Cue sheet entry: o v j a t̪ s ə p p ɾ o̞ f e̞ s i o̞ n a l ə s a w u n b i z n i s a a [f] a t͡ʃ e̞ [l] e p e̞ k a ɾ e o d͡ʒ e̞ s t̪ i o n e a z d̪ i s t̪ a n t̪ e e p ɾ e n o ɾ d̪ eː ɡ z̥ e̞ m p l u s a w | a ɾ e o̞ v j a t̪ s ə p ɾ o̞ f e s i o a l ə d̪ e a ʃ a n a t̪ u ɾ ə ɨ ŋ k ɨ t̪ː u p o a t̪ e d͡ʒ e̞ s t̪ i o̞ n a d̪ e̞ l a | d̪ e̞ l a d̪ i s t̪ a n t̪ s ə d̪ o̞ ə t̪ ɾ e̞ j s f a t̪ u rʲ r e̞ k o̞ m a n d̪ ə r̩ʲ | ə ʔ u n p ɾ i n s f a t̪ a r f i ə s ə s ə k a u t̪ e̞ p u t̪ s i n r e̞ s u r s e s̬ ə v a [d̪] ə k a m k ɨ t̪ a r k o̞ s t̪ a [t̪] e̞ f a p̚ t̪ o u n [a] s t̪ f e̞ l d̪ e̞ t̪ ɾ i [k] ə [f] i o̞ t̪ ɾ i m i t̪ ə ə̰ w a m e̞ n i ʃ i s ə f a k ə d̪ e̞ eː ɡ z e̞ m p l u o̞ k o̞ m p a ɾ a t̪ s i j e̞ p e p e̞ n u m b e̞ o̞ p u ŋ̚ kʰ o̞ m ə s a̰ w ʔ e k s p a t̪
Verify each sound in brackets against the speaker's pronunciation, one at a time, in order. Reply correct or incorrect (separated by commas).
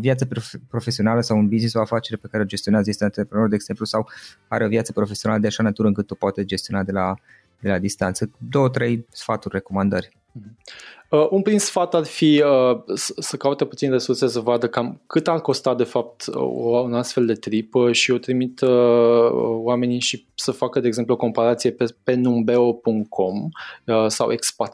correct, incorrect, correct, incorrect, correct, incorrect, incorrect